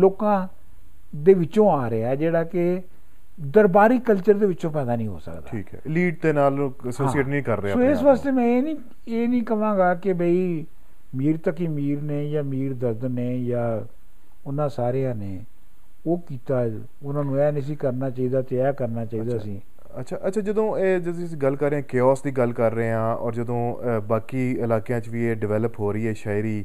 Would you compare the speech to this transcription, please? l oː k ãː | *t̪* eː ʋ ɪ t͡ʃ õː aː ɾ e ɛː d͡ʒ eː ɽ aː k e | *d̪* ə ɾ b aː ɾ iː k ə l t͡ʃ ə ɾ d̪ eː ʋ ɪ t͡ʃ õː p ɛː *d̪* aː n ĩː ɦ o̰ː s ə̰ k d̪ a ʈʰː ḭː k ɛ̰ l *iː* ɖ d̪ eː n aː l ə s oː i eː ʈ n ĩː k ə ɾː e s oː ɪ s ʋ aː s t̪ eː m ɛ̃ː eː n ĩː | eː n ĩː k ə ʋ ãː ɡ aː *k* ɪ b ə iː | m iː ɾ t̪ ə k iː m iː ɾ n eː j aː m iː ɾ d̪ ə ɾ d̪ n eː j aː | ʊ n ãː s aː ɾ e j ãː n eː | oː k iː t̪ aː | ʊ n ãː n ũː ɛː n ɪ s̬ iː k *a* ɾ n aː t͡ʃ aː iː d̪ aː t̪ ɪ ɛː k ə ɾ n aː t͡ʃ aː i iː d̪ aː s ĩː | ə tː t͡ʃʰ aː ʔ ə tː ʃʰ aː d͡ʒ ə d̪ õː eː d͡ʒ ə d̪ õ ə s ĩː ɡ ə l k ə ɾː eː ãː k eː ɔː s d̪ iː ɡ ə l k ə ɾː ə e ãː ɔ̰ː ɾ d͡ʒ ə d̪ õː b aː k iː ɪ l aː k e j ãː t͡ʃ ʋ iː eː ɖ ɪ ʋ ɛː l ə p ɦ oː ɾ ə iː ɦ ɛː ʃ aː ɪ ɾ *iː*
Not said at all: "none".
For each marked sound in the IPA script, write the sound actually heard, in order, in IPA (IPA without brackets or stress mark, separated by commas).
d̪, d̪, d̪, iː, k, ə, iː